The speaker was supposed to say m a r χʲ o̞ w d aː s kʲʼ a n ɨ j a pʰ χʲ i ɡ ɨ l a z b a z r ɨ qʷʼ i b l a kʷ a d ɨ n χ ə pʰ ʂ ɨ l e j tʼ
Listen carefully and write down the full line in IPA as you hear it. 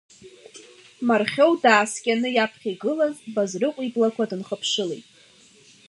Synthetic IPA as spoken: m a r χʲ o̞ w d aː s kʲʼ a n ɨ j a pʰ χʲ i ɡ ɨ l a z b a z r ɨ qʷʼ i b l a kʷ a d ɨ n χ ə pʰ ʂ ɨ l e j tʼ